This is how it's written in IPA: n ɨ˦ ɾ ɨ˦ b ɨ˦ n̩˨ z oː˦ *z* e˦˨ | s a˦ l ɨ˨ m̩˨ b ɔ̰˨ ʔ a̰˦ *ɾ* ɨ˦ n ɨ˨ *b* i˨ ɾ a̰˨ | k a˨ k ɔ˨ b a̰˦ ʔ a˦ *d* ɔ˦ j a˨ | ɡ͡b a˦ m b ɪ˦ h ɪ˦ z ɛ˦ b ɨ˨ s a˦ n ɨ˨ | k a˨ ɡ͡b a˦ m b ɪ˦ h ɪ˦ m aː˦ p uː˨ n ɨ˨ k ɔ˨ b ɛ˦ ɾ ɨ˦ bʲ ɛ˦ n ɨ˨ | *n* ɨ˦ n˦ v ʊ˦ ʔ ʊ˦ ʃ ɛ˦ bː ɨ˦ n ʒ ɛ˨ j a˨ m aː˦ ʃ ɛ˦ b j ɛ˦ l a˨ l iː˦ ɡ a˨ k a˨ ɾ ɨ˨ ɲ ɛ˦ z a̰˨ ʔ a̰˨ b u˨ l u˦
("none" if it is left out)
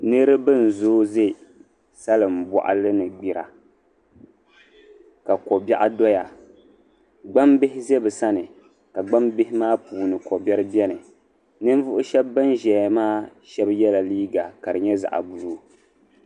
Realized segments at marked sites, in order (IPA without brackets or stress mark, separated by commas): z, l, ɡ͡b, d, n